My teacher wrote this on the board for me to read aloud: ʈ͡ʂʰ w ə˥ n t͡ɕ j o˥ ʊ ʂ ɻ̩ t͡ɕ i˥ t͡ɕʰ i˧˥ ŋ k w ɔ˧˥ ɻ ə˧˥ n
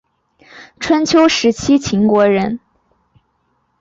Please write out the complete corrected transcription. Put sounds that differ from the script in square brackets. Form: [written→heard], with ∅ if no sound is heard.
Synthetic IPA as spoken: ʈ͡ʂʰ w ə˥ n [t͡ɕ→t͡ɕʰ] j o˥ ʊ ʂ ɻ̩ [t͡ɕ→t͡ɕʰ] i˥ t͡ɕʰ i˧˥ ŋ k w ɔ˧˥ ɻ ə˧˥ n